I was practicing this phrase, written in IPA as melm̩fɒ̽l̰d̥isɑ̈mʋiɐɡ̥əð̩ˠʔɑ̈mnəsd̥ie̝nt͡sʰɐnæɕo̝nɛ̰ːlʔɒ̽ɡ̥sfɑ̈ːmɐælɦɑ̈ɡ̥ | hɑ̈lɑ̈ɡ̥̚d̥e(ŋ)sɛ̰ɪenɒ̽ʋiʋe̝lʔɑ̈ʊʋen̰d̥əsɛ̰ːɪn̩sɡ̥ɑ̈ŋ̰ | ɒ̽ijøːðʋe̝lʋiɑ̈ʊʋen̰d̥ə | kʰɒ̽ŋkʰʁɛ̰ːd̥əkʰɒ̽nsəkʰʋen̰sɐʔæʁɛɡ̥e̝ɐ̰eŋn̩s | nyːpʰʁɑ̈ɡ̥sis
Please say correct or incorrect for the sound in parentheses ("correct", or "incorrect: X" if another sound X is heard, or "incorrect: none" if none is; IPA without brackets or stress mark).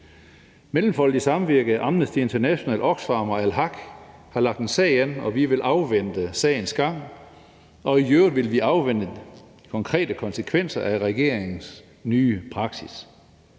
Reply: incorrect: n